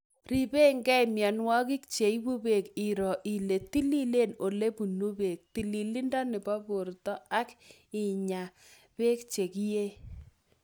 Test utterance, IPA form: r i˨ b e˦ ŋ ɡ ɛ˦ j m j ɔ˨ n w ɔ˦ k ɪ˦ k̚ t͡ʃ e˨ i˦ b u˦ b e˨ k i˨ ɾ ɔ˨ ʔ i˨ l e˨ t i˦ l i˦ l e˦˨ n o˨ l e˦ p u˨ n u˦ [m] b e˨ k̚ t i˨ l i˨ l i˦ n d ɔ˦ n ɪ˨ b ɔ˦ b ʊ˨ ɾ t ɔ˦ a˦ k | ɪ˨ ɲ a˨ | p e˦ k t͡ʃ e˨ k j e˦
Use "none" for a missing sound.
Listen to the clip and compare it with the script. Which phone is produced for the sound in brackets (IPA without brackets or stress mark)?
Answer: none